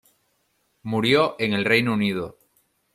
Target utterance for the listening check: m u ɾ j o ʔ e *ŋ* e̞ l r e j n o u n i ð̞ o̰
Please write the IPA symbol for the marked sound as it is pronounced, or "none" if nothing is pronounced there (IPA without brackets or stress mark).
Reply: ŋ